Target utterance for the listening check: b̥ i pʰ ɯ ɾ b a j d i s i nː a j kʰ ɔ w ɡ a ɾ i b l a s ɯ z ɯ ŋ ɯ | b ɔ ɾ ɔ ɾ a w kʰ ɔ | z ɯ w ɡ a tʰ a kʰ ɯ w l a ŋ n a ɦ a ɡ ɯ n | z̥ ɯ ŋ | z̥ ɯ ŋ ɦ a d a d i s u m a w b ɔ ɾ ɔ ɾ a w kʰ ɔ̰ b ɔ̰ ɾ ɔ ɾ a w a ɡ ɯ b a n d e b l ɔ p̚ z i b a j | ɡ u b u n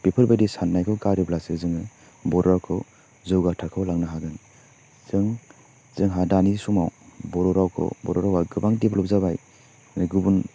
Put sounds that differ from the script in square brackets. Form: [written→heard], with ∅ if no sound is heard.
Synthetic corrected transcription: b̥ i pʰ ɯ ɾ b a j d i s [i→a] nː a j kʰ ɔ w ɡ a ɾ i b l a s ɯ z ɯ ŋ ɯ | b ɔ ɾ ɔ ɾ a w kʰ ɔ | z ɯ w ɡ a tʰ a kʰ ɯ w l a ŋ n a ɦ a ɡ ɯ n | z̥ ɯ ŋ | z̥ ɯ ŋ ɦ a d a [d→n] i s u m a w b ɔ ɾ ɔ ɾ a w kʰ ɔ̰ b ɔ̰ ɾ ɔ ɾ a w a ɡ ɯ b a [n→ŋ] d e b l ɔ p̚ z [i→a] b a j | ɡ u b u n